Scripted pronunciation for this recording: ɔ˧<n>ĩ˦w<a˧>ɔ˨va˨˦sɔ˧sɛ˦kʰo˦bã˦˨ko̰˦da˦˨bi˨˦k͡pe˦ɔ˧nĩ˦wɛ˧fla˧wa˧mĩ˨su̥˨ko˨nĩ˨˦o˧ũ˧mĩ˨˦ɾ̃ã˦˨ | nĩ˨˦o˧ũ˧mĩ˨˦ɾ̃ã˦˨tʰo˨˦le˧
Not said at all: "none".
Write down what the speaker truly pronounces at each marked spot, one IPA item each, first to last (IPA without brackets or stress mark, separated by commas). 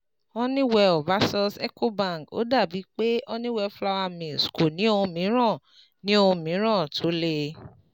n, ɛ˧